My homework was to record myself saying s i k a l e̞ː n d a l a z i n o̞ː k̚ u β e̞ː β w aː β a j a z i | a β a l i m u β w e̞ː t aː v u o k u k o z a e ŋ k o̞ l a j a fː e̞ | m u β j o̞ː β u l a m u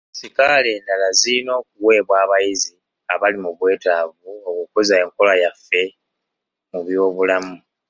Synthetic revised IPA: s i k a l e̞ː n d a l a z i n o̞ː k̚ u w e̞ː β w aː β a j i z i | a β a l i m u β w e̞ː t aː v u o k u k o z a e ŋ k o̞ l a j a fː e̞ | m u β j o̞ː β u l a m u